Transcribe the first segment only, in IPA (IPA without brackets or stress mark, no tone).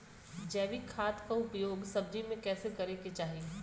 d͡ʒ